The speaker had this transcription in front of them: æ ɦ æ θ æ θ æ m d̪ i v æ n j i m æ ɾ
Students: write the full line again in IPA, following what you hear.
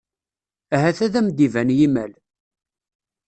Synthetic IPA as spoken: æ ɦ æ θ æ ð æ m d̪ i v æ n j i m æ l